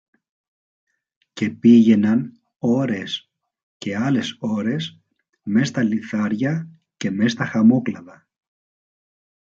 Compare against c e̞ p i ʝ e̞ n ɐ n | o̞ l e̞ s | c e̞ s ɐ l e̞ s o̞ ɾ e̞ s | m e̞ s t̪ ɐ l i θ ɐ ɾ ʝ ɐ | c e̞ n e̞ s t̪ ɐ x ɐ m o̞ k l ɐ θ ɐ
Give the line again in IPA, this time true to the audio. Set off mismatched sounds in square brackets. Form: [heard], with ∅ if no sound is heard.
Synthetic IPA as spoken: c e̞ p i ʝ e̞ n ɐ n | o̞ [ɾ] e̞ s | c e̞ [∅] ɐ l e̞ s o̞ ɾ e̞ s | m e̞ s t̪ ɐ l i θ ɐ ɾ ʝ ɐ | c e̞ [m] e̞ s t̪ ɐ x ɐ m o̞ k l ɐ [ð] ɐ